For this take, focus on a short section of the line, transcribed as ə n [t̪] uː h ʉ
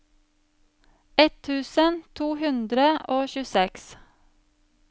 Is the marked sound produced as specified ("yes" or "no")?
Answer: no